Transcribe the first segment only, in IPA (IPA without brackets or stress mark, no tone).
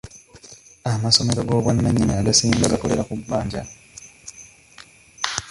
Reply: a